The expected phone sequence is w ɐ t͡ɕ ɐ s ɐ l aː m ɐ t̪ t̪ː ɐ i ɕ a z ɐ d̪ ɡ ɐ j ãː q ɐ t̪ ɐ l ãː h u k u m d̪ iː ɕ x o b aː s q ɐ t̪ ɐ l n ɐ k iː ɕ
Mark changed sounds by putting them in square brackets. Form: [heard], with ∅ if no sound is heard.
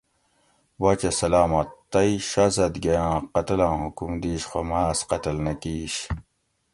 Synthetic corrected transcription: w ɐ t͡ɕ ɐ s ɐ l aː m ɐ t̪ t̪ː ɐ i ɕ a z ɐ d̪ ɡ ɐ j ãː q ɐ t̪ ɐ l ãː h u k u m d̪ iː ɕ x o [m] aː s q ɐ t̪ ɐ l n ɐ k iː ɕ

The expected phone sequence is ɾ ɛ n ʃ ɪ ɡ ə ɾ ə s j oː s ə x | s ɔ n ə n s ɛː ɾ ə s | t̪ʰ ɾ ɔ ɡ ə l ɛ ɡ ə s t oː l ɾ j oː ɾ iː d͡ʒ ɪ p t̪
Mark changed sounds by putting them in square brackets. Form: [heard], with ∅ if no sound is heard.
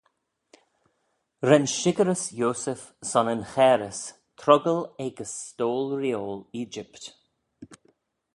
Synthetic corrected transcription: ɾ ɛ n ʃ ɪ ɡ ə ɾ ə s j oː s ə [f] | s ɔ n ə n [x] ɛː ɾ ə s | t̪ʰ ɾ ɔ ɡ ə l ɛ ɡ ə s t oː l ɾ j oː [l] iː d͡ʒ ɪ p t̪

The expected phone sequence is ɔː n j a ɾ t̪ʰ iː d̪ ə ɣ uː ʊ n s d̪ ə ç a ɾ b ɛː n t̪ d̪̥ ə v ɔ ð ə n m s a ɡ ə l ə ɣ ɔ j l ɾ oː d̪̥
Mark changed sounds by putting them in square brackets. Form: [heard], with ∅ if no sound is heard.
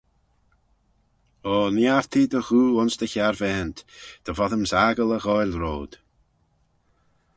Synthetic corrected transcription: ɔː n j a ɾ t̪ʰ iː d̪ ə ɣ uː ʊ n s d̪ ə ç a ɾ [v] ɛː n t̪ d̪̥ ə v ɔ ð ə [∅] m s a ɡ ə l ə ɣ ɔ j l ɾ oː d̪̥

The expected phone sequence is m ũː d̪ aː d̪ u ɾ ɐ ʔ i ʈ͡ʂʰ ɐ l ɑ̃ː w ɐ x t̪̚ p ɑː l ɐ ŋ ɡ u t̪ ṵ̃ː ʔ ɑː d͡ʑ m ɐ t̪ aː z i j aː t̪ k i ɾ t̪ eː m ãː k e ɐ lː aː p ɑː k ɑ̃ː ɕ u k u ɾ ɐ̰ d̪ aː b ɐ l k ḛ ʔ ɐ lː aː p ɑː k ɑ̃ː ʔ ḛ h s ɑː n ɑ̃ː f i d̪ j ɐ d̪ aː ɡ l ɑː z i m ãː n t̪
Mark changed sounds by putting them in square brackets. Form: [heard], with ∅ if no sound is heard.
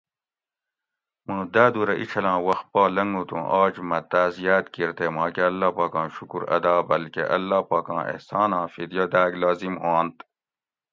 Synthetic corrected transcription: m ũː d̪ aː d̪ u ɾ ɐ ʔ i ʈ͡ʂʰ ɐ l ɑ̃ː w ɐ x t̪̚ p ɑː l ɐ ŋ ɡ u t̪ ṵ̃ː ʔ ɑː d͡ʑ m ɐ t̪ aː z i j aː t̪ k i ɾ t̪ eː m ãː k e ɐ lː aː p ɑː k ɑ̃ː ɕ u k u ɾ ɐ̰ d̪ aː b ɐ l k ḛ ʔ ɐ lː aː p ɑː k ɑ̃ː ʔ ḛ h s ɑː n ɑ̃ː f i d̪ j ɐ d̪ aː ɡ l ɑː z i m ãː n t̪

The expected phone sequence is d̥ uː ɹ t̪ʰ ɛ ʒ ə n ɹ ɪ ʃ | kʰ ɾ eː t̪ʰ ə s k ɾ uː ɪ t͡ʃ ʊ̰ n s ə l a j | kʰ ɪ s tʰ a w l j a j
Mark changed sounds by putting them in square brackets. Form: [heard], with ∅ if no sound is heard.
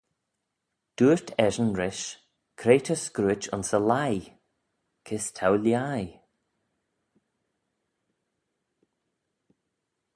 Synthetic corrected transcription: d̥ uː ɹ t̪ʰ ɛ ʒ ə n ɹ ɪ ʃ | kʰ ɾ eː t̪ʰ ə s k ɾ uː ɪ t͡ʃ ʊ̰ n s ə l a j | kʰ ɪ s tʰ a w l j a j

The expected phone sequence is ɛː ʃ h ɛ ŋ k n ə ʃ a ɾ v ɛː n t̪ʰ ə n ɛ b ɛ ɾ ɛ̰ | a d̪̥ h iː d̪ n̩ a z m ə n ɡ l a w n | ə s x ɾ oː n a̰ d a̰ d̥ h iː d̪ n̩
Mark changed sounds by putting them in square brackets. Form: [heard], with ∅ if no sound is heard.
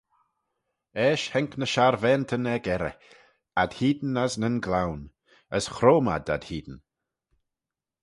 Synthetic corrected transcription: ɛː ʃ h ɛ ŋ k n ə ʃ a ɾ v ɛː n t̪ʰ ə n ɛ [ɡ] ɛ ɾ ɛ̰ | a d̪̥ h iː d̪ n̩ a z [n] ə n ɡ l a w n | ə s x ɾ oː [m] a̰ d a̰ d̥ h iː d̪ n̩

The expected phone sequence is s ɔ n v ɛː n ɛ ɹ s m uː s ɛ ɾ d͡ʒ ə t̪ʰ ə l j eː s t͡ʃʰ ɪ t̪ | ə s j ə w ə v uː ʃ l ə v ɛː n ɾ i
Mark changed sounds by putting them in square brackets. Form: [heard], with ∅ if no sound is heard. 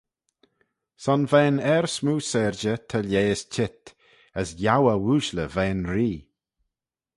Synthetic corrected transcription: s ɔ n v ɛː n ɛ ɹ s m uː s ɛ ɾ d͡ʒ ə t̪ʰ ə l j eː s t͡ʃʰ ɪ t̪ | ə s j [a] w ə [w] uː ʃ l ə v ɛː n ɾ [iː]

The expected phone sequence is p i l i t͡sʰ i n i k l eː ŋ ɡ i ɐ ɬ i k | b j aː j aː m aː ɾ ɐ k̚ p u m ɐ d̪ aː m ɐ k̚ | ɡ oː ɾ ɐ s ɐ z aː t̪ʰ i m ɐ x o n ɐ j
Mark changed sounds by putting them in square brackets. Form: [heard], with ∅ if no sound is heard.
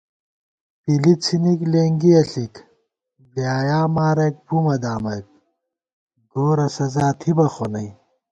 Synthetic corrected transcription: p i l i t͡sʰ i n i k l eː ŋ ɡ i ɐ ɬ i k | b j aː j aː m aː ɾ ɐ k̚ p u m ɐ d̪ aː m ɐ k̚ | ɡ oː ɾ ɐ s ɐ z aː t̪ʰ i [b] ɐ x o n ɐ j

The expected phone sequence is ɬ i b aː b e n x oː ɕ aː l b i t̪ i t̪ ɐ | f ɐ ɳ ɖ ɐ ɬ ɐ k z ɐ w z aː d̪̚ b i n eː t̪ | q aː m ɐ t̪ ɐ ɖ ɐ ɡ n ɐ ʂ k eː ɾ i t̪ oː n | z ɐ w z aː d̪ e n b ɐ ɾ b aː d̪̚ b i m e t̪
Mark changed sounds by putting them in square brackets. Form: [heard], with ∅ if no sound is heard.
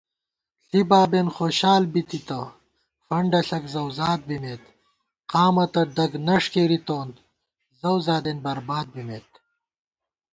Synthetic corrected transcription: ɬ i b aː b e n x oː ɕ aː l b i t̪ i t̪ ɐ | f ɐ ɳ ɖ ɐ ɬ ɐ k z ɐ w z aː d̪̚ b i [m] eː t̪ | q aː m ɐ t̪ ɐ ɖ ɐ ɡ n ɐ ʂ k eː ɾ i t̪ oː n | z ɐ w z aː d̪ e n b ɐ ɾ b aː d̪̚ b i m e t̪

